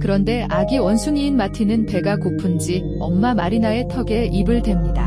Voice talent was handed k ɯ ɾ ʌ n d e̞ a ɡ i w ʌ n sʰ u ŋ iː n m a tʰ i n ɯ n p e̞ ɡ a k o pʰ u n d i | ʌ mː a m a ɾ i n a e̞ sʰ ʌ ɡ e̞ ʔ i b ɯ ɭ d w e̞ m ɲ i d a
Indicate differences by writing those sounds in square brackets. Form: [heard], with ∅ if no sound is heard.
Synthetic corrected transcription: k ɯ ɾ ʌ n d e̞ a ɡ i w ʌ n sʰ u ŋ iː n m a tʰ i n ɯ n p e̞ ɡ a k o pʰ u n [d͡ʑ] i | ʌ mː a m a ɾ i n a e̞ [tʰ] ʌ ɡ e̞ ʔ i b ɯ ɭ d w e̞ m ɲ i d a